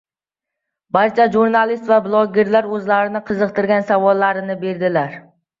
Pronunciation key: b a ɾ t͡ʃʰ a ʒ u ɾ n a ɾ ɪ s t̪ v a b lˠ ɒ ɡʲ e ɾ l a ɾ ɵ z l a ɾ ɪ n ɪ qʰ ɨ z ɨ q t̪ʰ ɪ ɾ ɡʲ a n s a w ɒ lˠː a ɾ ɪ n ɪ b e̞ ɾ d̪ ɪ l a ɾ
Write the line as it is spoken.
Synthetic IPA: b a ɾ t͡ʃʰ a ʒ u ɾ n a l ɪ s t̪ v a b lˠ ɒ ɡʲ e ɾ l a ɾ ɵ z l a ɾ ɪ n ɪ qʰ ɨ z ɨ q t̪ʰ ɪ ɾ ɡʲ a n s a v ɒ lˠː a ɾ ɪ n ɪ b e̞ ɾ d̪ ɪ l a ɾ